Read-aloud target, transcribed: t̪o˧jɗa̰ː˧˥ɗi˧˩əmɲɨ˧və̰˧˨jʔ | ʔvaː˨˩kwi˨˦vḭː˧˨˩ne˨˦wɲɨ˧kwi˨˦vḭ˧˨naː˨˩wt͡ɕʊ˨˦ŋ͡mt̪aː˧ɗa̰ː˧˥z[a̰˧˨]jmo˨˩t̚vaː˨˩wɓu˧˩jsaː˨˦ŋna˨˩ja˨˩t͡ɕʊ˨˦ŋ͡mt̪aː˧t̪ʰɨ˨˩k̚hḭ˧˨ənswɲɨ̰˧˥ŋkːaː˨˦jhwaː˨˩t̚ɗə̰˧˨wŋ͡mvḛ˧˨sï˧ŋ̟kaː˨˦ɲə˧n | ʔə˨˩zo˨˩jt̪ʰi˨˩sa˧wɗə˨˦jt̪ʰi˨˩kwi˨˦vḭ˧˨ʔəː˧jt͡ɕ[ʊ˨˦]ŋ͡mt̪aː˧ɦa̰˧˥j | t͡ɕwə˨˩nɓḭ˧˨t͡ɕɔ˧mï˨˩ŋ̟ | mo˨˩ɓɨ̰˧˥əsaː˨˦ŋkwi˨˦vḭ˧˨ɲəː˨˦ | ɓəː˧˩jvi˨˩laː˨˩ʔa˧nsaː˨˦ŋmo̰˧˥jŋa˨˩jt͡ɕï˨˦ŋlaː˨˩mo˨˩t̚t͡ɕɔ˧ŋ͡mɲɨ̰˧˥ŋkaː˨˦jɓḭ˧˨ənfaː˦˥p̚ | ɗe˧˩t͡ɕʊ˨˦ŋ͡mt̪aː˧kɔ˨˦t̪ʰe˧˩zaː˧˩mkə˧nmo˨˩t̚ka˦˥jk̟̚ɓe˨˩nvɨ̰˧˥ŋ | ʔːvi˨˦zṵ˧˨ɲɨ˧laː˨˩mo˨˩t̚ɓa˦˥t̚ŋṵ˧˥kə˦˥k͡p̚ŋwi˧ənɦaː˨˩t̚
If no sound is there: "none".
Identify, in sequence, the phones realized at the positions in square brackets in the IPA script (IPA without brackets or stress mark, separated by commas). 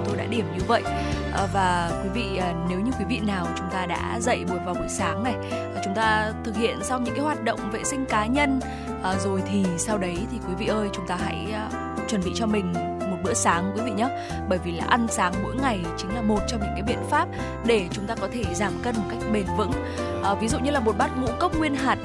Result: ə̰˧˨, ʊ˨˦